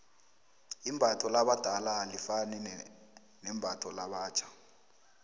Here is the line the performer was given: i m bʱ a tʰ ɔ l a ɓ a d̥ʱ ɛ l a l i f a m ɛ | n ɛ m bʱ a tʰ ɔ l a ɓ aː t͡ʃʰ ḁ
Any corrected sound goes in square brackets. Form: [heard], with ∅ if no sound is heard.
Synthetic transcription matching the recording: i m bʱ a tʰ ɔ l a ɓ a d̥ʱ [a] l a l i f a [n] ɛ | n ɛ m bʱ a tʰ ɔ l a ɓ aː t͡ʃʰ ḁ